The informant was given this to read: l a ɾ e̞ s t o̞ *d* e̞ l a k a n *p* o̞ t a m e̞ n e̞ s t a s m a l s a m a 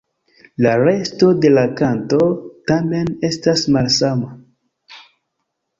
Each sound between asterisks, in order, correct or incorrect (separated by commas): correct, incorrect